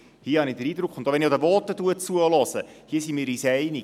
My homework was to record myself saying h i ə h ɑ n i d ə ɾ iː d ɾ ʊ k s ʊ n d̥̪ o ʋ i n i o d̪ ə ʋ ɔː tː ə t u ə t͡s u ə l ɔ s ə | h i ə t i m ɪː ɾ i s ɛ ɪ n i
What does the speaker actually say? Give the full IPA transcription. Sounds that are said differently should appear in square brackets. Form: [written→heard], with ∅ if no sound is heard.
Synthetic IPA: h i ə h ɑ n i d ə ɾ iː d ɾ ʊ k [s→χ] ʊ n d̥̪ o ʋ [i→ɛ] n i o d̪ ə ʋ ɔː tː ə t u ə t͡s u ə l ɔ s ə | h i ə [t→s] i m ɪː ɾ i s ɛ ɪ n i